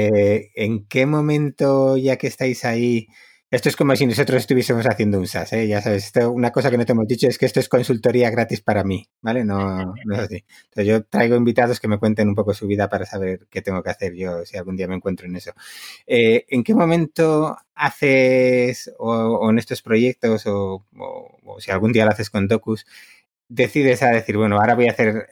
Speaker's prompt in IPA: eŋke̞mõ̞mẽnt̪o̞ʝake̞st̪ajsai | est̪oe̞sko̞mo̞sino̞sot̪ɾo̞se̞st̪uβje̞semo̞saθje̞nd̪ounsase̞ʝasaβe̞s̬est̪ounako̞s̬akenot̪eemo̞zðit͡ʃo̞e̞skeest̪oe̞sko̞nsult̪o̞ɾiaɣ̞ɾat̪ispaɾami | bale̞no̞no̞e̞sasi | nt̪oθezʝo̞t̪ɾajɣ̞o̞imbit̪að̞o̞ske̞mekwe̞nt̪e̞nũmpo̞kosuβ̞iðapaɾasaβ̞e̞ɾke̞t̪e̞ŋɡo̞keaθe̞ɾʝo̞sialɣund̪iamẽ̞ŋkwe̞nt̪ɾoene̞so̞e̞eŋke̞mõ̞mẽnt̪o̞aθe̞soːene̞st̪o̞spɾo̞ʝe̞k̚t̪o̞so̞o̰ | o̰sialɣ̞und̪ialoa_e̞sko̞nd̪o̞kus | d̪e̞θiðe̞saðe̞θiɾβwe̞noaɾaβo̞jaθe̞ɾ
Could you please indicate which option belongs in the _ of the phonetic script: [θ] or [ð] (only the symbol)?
θ